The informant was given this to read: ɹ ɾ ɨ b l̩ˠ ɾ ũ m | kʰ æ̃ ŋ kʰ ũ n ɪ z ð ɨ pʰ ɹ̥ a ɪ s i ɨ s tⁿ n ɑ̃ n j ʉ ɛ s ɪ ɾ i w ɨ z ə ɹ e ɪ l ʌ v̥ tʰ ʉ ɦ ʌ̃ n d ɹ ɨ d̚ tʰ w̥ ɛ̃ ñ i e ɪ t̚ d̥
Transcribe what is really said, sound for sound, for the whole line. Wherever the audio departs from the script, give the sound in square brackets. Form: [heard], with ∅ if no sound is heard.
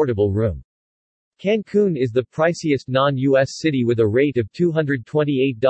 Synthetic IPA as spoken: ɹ ɾ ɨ b l̩ˠ [ɹ] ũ m | kʰ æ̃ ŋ kʰ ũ n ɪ z ð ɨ pʰ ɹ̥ a ɪ s i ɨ s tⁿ n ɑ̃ n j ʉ ɛ s ɪ ɾ i w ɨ [ð] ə ɹ e ɪ [ɾ] ʌ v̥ tʰ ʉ ɦ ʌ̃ n d ɹ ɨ d̚ tʰ w̥ ɛ̃ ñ i e ɪ t̚ d̥